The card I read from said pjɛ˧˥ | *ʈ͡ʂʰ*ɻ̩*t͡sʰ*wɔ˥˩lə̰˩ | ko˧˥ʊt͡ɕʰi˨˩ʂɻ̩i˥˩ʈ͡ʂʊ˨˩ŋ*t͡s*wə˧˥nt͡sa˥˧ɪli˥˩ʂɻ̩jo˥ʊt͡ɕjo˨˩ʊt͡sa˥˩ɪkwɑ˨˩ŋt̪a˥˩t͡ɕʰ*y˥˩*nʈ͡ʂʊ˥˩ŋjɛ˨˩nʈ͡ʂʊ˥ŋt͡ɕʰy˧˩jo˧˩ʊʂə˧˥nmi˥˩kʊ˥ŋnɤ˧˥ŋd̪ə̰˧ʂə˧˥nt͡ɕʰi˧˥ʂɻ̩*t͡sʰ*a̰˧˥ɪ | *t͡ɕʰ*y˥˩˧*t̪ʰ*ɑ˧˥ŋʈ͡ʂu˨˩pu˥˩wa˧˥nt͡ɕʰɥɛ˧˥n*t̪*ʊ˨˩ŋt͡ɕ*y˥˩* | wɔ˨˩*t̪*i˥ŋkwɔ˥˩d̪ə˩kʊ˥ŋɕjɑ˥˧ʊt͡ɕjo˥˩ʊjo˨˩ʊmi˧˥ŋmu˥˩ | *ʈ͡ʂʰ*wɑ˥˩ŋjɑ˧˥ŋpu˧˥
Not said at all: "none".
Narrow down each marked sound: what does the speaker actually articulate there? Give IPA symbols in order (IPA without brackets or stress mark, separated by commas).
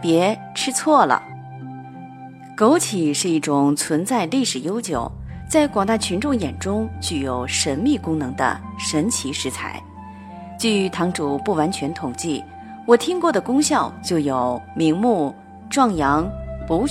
ʈ͡ʂʰ, t͡sʰ, t͡sʰ, y˧˥, t͡sʰ, t͡ɕ, t̪ʰ, t̪ʰ, i˥˩, t̪ʰ, ʈ͡ʂ